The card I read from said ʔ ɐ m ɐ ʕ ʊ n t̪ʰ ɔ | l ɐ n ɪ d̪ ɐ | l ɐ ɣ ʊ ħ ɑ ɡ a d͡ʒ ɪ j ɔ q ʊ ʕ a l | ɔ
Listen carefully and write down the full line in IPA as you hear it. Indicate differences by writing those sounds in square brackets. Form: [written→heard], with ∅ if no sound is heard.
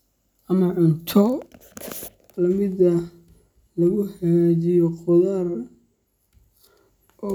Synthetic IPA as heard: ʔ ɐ m ɐ ʕ ʊ n t̪ʰ ɔ | l ɐ [n→m] ɪ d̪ ɐ | l ɐ ɣ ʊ ħ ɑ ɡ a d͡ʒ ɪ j ɔ q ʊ [ʕ→ð] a [l→r] | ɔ

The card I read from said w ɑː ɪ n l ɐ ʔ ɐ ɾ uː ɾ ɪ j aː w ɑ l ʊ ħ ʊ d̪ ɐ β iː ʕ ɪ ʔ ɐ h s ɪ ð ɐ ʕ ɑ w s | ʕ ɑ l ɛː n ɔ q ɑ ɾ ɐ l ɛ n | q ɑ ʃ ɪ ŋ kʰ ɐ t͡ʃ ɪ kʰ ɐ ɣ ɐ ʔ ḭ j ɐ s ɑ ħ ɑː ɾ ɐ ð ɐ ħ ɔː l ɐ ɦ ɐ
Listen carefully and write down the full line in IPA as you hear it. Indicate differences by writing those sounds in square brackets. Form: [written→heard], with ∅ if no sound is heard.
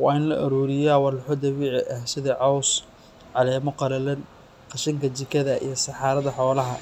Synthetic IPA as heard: w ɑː ɪ n l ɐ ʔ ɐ ɾ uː ɾ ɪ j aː w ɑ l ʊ ħ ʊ d̪ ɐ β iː ʕ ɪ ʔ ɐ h s ɪ ð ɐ ʕ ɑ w s | ʕ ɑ l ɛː [n→m] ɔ q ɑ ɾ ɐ l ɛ n | q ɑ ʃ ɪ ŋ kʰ ɐ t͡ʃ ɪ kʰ ɐ [ɣ→ð] ɐ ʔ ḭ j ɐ s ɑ ħ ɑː ɾ ɐ ð ɐ ħ ɔː l ɐ ɦ ɐ

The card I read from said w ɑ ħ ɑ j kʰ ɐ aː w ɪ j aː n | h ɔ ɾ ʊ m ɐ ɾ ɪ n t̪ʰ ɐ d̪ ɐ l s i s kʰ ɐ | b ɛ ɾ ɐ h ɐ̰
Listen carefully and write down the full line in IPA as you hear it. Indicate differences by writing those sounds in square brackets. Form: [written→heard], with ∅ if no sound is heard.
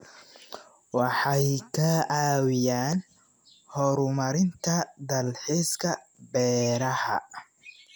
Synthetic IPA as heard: w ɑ ħ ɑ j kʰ ɐ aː w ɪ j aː n | h ɔ ɾ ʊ m ɐ ɾ ɪ n t̪ʰ ɐ d̪ ɐ l [s→ħ] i s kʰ ɐ | b [ɛ→ɛː] ɾ ɐ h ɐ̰

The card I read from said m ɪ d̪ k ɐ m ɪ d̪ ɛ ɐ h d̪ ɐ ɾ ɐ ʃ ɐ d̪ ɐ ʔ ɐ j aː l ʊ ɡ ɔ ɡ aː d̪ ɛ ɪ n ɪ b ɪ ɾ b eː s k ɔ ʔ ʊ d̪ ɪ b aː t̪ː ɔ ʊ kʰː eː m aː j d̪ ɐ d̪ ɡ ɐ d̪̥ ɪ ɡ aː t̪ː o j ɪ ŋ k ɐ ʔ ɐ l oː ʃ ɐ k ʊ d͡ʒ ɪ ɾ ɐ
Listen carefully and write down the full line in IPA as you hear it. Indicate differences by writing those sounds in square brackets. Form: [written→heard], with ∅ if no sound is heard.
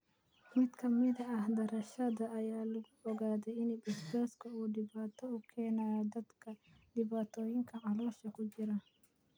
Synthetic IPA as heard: m ɪ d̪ k ɐ m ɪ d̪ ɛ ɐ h d̪ ɐ ɾ ɐ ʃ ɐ d̪ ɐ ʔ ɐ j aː l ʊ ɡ ɔ ɡ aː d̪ ɛ ɪ n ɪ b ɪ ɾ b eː s k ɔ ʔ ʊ d̪ ɪ b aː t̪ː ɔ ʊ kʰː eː [m→n] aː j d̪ ɐ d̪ [ɡ→k] ɐ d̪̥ ɪ [ɡ→b] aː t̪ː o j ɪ ŋ k ɐ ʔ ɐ l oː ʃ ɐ k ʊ d͡ʒ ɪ ɾ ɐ

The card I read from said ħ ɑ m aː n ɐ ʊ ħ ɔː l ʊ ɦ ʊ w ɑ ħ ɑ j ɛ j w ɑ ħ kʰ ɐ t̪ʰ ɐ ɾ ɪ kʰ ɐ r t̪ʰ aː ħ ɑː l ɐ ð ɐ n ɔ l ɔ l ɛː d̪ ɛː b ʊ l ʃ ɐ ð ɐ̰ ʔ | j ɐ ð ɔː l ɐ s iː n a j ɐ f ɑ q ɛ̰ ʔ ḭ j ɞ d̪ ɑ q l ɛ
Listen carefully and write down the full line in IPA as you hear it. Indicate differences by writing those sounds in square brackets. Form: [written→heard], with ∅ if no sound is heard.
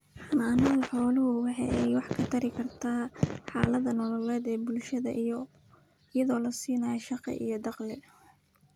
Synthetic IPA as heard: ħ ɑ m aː n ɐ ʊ ħ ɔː l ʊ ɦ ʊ w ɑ ħ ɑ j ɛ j w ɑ ħ kʰ ɐ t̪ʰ ɐ ɾ ɪ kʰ ɐ r t̪ʰ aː ħ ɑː l ɐ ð ɐ n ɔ l ɔ l ɛː d̪ ɛː b ʊ l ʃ ɐ ð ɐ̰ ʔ | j ɐ ð ɔː l ɐ s iː n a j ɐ [f→ʃ] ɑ q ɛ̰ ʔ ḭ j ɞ d̪ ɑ q l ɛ

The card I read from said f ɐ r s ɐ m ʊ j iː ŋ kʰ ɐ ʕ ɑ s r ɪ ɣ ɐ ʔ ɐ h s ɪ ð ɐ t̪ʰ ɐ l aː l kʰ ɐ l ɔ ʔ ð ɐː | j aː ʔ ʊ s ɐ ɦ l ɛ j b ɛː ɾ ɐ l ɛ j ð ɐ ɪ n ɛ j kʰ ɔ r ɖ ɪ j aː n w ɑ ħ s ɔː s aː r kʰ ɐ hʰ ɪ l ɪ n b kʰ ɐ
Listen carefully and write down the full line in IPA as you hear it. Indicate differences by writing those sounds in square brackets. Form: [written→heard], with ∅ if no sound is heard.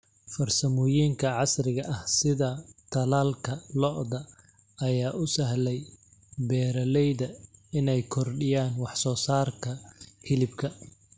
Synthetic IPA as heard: f ɐ r s ɐ m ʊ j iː ŋ kʰ ɐ ʕ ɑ s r ɪ ɣ ɐ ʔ ɐ h s ɪ ð ɐ t̪ʰ ɐ l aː l kʰ ɐ l ɔ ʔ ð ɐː | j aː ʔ ʊ s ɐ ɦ l ɛ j b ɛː ɾ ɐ l ɛ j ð ɐ ɪ n ɛ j kʰ ɔ r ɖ ɪ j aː n w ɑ ħ s ɔː s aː r kʰ ɐ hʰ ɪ l ɪ [n→∅] b kʰ ɐ

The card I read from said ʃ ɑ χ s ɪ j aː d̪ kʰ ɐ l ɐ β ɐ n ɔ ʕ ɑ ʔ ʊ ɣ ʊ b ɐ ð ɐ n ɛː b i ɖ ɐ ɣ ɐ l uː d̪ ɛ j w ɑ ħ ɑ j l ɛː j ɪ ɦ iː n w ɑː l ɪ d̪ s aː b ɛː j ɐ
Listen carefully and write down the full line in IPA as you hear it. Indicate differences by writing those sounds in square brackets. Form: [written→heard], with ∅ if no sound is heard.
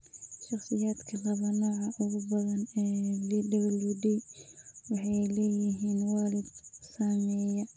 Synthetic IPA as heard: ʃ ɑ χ s ɪ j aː d̪ kʰ ɐ l ɐ β ɐ n [ɔ→ɔː] ʕ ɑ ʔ ʊ ɣ ʊ b ɐ ð ɐ n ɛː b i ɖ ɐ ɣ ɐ l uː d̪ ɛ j w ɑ ħ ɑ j l ɛː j ɪ ɦ iː n w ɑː l ɪ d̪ s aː [b→m] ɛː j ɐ

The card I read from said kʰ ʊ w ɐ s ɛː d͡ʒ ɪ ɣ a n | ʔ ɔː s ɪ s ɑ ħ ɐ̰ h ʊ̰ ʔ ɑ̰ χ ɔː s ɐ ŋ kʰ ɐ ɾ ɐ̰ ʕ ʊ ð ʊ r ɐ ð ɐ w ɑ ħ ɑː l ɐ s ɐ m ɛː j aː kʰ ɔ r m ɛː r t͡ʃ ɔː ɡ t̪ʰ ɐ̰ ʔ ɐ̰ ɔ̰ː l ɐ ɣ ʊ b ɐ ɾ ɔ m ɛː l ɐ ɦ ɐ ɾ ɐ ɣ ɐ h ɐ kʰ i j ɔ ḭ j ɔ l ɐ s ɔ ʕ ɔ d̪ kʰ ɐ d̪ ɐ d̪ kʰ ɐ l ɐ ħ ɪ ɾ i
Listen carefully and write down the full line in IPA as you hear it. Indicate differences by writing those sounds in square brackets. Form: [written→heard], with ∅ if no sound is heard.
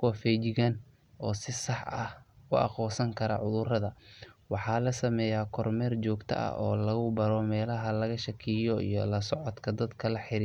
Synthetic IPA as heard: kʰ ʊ w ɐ [s→f] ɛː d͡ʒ ɪ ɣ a n | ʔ ɔː s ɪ s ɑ ħ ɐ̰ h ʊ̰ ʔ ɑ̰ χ ɔː s ɐ ŋ kʰ ɐ ɾ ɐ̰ ʕ ʊ ð ʊ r ɐ ð ɐ w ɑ ħ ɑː l ɐ s ɐ m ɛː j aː kʰ ɔ r m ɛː r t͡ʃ ɔː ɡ t̪ʰ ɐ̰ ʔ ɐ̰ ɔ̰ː l ɐ ɣ ʊ b ɐ ɾ ɔ m ɛː l ɐ ɦ ɐ [ɾ→l] ɐ ɣ ɐ [h→ʃ] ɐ kʰ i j ɔ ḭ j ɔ l ɐ s ɔ ʕ ɔ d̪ kʰ ɐ d̪ ɐ d̪ kʰ ɐ l ɐ ħ ɪ ɾ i

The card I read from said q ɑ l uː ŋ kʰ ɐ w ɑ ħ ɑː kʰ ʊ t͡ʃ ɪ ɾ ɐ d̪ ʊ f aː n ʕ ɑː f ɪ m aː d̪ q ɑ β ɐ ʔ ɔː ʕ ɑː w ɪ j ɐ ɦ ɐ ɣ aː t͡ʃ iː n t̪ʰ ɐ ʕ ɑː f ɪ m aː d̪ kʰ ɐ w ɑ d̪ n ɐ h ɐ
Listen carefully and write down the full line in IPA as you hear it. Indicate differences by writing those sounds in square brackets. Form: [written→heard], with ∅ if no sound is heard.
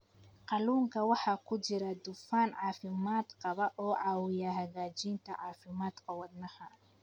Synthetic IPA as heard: q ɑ l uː ŋ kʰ ɐ w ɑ ħ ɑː kʰ ʊ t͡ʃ ɪ ɾ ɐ d̪ ʊ f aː n ʕ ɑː f ɪ m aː d̪ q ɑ β ɐ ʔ ɔː ʕ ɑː w ɪ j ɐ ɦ ɐ ɣ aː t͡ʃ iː n t̪ʰ ɐ ʕ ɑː f ɪ m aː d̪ kʰ ɐ w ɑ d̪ n ɐ h ɐ

